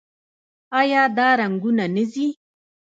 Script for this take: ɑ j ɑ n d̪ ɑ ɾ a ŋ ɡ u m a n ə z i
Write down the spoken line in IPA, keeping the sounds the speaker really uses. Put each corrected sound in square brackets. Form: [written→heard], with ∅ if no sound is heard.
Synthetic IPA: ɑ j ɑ [n→∅] d̪ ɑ ɾ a ŋ ɡ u [m→n] a n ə z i